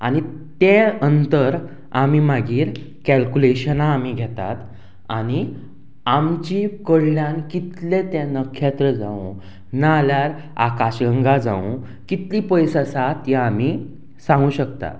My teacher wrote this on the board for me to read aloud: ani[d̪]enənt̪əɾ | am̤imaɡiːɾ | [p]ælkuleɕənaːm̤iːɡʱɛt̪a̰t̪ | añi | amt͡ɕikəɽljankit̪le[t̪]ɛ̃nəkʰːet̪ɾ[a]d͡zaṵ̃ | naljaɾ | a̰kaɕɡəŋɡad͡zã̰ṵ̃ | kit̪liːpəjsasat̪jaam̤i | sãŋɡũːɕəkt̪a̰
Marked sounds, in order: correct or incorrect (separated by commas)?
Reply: incorrect, incorrect, correct, incorrect